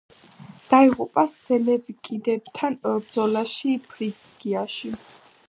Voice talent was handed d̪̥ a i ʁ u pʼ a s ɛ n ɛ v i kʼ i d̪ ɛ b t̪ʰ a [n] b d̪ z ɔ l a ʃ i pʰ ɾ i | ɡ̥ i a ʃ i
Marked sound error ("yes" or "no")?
no